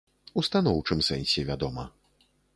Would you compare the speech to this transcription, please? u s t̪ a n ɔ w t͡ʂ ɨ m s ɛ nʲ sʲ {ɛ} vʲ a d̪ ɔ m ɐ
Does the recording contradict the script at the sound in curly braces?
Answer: no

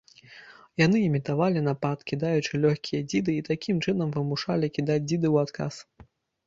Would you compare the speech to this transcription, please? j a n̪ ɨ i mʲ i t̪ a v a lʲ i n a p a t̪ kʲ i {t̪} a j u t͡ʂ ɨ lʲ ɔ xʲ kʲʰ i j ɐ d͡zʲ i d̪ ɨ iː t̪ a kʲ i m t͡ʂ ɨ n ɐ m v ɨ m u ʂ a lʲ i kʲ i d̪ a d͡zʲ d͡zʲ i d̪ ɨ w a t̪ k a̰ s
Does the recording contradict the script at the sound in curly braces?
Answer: yes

